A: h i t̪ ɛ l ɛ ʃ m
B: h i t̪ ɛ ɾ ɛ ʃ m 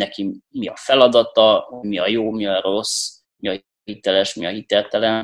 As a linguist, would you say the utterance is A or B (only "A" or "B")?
A